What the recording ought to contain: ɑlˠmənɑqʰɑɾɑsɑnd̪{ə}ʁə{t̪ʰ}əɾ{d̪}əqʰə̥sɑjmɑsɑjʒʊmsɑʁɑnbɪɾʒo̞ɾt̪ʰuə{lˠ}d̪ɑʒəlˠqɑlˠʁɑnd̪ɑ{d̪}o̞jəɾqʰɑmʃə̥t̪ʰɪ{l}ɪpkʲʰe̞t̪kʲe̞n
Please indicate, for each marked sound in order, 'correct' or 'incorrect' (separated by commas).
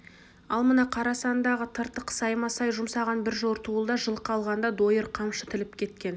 incorrect, correct, incorrect, correct, correct, correct